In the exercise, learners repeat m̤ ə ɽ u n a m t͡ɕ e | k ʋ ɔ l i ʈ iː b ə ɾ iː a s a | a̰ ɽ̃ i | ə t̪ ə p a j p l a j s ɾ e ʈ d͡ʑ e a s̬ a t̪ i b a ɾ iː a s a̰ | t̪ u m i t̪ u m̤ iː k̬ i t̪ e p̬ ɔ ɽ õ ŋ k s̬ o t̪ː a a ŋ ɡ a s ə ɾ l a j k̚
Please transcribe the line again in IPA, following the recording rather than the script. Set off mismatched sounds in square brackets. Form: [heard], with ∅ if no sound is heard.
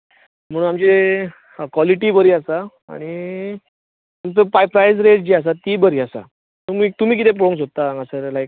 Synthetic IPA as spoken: m̤ ə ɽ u n a m t͡ɕ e | k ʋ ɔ l i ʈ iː b ə ɾ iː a s a | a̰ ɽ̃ i | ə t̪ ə p a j p [ɾ] a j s ɾ e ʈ d͡ʑ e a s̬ a t̪ i b [ə] ɾ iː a s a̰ | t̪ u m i t̪ u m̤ iː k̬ i t̪ e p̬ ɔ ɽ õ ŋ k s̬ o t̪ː a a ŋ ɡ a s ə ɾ l a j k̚